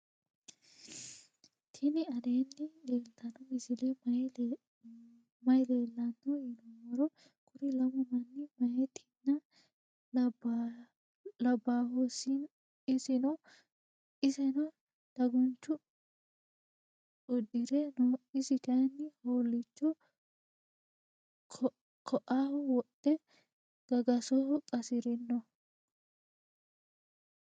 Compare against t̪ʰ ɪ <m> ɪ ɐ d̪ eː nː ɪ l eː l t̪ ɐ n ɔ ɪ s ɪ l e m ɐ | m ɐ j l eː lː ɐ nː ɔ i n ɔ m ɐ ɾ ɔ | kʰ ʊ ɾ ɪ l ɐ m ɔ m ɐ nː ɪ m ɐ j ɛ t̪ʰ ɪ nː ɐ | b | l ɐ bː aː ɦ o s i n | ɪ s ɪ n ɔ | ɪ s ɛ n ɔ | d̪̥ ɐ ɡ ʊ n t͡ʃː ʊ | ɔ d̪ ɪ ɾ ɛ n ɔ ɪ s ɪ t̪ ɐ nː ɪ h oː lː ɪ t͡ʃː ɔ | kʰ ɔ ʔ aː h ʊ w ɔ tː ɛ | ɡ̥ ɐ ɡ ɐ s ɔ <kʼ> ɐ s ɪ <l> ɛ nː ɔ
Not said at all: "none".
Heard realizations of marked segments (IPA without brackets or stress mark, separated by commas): n, kʼ, ɾ